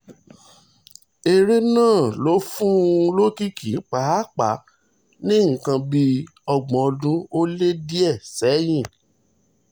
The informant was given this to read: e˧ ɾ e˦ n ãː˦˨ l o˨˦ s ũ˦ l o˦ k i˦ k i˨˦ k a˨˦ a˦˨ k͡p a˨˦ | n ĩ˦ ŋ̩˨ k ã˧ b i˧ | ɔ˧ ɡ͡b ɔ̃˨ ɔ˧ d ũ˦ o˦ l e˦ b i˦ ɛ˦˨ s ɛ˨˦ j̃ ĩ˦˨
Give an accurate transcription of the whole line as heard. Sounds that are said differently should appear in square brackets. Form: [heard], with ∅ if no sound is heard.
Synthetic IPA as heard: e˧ ɾ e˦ n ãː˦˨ l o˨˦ [f] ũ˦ l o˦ k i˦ k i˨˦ [k͡p] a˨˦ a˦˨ k͡p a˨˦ | n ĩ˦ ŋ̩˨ k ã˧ b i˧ | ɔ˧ ɡ͡b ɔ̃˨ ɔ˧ d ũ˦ o˦ l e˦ [d] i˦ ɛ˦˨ s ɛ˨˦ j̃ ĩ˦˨